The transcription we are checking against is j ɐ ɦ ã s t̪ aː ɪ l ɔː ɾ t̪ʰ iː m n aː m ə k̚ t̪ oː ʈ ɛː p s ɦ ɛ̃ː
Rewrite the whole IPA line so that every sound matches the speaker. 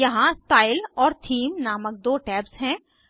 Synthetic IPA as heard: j ɐ ɦ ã s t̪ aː ɪ l ɔː ɾ t̪ʰ iː m n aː m ə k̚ d̪ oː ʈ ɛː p s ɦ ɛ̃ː